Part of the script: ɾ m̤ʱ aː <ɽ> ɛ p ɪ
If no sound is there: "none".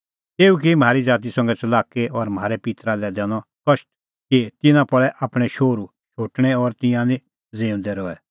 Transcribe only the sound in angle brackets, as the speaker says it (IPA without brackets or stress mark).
ɾ